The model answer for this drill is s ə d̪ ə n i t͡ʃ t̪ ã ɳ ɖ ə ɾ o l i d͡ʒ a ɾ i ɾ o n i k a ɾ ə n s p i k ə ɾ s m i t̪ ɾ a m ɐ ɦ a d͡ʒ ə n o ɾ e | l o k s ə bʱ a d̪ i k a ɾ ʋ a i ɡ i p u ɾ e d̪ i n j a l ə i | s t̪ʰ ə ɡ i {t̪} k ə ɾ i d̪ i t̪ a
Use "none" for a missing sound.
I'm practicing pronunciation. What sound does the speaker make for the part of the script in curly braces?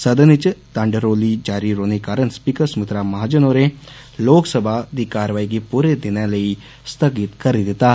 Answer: t̪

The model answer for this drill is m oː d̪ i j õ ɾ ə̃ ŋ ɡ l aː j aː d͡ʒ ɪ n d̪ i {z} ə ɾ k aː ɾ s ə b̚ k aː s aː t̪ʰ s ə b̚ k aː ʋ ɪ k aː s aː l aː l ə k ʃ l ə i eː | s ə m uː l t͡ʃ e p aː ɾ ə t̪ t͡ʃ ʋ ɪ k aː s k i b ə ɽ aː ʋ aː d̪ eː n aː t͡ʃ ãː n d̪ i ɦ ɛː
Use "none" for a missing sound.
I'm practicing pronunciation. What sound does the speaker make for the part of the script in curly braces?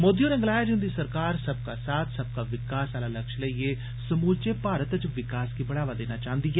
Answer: s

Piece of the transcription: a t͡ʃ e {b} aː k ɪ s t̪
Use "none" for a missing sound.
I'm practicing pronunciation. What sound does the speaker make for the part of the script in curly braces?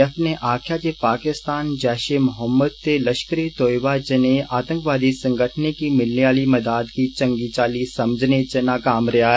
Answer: p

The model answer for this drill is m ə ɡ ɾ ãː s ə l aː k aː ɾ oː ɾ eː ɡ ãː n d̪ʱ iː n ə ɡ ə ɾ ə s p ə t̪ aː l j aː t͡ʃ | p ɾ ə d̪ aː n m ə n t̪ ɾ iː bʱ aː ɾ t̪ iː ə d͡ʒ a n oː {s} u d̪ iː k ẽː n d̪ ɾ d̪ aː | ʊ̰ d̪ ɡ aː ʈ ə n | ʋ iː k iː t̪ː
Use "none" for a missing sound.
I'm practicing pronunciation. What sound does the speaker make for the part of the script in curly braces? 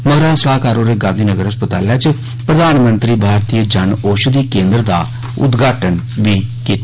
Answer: ʃ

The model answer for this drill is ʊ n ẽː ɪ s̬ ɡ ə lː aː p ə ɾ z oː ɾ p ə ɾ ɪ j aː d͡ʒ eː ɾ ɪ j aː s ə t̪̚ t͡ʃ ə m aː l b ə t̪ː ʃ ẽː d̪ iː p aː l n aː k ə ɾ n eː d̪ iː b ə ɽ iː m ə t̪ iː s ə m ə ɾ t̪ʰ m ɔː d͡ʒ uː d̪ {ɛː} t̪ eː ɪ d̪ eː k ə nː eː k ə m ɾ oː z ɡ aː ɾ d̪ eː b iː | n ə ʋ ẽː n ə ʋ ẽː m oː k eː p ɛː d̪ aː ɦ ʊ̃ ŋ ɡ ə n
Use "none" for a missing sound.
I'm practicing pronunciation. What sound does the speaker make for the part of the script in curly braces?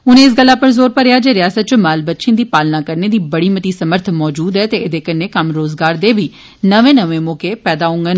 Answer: ɛː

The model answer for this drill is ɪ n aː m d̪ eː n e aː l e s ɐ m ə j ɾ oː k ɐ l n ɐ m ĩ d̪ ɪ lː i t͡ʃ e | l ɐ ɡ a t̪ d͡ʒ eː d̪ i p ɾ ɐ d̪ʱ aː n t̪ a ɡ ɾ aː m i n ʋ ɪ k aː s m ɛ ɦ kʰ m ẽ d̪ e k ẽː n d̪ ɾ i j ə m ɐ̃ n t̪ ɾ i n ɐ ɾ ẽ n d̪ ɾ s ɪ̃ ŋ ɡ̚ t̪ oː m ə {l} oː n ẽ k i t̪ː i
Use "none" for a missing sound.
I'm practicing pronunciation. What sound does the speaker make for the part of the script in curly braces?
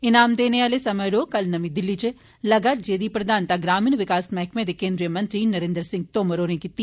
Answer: ɾ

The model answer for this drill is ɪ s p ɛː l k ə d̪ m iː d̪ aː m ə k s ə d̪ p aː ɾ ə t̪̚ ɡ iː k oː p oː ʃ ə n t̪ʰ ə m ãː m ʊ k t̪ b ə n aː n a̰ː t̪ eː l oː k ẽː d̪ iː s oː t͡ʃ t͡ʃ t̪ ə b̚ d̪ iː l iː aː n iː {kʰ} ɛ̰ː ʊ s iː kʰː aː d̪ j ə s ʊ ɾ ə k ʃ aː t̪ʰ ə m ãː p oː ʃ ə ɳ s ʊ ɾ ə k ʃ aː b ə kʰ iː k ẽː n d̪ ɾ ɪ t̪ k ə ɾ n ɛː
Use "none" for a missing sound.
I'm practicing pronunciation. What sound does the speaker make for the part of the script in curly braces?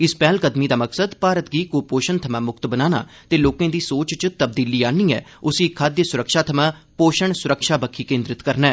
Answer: none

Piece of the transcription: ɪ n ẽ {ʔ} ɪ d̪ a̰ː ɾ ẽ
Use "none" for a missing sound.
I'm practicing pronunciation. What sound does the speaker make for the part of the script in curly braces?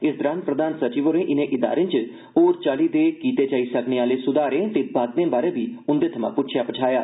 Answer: ʔ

